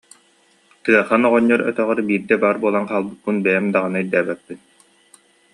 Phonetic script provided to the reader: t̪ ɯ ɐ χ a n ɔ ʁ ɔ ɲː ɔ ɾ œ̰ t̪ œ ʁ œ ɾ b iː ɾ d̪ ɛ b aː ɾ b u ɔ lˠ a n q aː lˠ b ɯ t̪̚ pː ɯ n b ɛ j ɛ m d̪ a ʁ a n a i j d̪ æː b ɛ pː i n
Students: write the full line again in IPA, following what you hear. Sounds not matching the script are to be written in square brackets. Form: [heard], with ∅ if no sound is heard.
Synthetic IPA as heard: t̪ ɯ ɐ χ a n ɔ ʁ ɔ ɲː ɔ ɾ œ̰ t̪ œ ʁ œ ɾ b iː ɾ d̪ ɛ b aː ɾ b u ɔ lˠ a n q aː lˠ b ɯ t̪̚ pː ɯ n b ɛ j ɛ m d̪ a ʁ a n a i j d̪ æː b ɛ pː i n